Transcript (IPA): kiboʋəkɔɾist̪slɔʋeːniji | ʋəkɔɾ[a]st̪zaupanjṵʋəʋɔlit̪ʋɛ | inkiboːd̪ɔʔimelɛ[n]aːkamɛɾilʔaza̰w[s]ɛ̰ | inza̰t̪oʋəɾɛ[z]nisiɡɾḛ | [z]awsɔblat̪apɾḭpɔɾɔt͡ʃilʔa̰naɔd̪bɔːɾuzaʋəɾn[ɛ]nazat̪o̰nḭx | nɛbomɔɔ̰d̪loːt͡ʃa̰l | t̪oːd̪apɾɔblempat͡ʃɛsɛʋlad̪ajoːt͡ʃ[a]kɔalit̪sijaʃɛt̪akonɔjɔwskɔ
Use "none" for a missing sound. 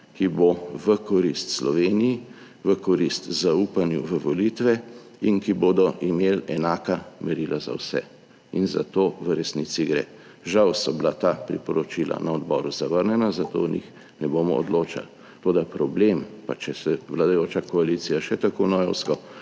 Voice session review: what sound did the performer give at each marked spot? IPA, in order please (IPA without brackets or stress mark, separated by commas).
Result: i, n, s, s, ʒ, ɛ, a